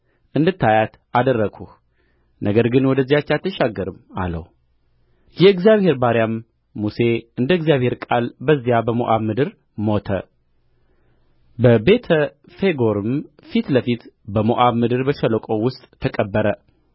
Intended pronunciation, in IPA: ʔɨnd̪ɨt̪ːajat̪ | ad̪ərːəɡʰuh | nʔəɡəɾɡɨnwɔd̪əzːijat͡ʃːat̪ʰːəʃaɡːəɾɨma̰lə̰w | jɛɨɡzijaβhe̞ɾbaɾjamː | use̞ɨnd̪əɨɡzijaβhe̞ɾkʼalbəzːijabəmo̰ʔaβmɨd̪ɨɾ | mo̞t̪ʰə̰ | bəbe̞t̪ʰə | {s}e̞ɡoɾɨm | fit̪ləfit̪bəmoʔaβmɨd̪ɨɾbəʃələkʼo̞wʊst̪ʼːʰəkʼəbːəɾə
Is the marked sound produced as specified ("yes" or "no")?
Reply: no